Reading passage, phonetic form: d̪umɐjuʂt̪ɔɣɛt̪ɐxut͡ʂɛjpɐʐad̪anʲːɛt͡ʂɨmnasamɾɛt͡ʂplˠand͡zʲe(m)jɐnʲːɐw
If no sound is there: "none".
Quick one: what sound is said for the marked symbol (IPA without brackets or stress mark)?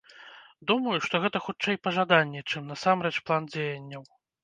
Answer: none